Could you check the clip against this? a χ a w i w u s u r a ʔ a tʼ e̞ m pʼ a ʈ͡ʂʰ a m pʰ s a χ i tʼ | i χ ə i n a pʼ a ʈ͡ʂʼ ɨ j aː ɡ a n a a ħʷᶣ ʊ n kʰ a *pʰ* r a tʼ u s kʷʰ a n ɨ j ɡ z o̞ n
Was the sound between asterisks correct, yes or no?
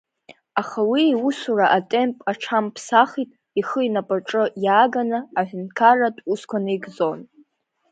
no